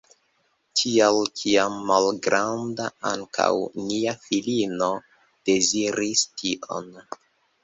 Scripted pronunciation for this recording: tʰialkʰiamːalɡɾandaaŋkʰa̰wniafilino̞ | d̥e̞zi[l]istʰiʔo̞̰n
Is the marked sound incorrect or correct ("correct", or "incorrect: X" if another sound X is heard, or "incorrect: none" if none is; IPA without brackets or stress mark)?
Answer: incorrect: ɾ